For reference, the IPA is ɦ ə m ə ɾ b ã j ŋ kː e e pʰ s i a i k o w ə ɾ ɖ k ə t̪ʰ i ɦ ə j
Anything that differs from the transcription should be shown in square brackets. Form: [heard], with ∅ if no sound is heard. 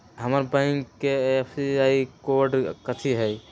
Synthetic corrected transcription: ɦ ə m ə ɾ b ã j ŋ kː e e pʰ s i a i k o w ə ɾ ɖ k ə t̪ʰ i ɦ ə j